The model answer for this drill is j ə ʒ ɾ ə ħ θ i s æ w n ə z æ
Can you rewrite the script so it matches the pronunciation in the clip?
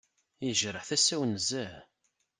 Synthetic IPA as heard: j ə ʒ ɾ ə ħ θ æ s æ w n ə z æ